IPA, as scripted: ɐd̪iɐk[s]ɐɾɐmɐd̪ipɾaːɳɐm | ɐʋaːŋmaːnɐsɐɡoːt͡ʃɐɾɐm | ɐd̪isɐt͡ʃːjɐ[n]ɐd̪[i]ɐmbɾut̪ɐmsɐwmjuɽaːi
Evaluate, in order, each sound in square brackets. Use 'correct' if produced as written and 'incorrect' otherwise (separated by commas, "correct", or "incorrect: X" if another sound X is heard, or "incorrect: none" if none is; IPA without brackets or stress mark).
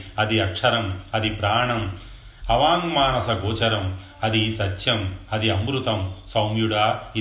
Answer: incorrect: ʂ, incorrect: m, correct